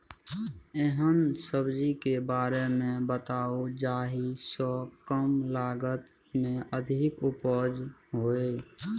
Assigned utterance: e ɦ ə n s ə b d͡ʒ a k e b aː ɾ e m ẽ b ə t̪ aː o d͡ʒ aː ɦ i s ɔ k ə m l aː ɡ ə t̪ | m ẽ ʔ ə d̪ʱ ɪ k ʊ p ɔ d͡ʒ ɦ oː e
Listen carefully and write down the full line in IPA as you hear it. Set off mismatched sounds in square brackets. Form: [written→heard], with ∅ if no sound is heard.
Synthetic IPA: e ɦ ə n s ə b d͡ʒ [a→i] k e b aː ɾ e m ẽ b ə t̪ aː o d͡ʒ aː ɦ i s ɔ k ə m l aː ɡ ə t̪ | m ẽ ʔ ə d̪ʱ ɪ k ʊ p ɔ d͡ʒ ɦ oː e